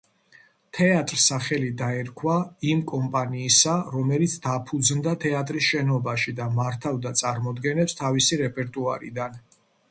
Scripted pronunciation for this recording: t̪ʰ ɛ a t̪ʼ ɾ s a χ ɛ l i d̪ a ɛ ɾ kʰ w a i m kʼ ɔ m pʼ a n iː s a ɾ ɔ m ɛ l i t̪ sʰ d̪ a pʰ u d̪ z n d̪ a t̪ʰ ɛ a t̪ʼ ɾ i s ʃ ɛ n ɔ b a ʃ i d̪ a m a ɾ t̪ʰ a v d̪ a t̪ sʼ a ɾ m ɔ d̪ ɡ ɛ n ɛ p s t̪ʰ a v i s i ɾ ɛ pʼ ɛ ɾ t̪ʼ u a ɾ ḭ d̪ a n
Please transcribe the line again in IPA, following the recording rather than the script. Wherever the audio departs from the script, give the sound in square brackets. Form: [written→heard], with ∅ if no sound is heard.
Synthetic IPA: t̪ʰ ɛ a t̪ʼ ɾ s a χ ɛ l i d̪ a ɛ ɾ kʰ w a i m kʼ ɔ m pʼ a n iː s a ɾ ɔ m ɛ l i t̪ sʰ d̪ a pʰ u d̪ z n d̪ a t̪ʰ ɛ a t̪ʼ ɾ i s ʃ ɛ n ɔ b a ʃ i d̪ a m a ɾ t̪ʰ a v d̪ a t̪ sʼ a ɾ m ɔ d̪ ɡ ɛ n ɛ p s t̪ʰ a v i s i ɾ ɛ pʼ ɛ ɾ t̪ʼ u a ɾ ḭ d̪ a n